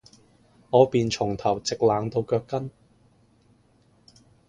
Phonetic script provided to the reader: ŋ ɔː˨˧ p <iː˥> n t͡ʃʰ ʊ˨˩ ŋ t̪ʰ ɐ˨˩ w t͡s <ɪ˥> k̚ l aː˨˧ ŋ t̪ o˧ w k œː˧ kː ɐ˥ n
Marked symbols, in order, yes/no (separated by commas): no, no